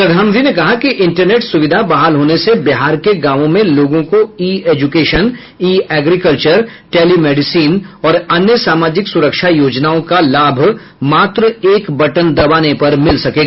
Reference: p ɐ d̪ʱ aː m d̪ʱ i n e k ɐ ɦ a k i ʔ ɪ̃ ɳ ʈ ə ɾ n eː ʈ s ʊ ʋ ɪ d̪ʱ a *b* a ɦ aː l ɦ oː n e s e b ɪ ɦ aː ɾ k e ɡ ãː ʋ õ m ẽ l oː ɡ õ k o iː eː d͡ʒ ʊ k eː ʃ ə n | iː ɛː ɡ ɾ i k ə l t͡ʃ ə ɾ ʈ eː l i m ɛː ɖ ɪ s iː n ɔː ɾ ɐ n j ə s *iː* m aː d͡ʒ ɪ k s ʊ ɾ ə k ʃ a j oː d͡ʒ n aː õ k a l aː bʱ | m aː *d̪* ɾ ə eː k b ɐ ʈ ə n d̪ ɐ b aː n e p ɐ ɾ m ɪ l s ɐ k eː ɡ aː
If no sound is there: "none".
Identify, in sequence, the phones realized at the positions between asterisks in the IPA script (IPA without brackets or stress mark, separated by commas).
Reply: b, aː, t̪